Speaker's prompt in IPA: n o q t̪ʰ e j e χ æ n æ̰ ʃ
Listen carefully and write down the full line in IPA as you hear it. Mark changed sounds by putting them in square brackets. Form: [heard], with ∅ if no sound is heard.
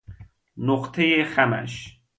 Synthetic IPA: n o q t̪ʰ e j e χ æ [m] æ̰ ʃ